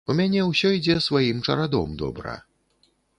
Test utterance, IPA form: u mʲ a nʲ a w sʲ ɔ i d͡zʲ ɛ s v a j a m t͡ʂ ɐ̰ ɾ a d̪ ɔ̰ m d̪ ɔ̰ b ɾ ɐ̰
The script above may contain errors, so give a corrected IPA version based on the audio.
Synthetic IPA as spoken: u mʲ a nʲ ɛ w sʲ ɔ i d͡zʲ ɛ s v a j i m t͡ʂ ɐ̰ ɾ a d̪ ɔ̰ m d̪ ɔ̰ b ɾ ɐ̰